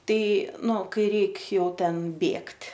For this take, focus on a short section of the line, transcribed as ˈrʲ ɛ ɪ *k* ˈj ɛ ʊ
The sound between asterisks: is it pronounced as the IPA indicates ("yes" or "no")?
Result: yes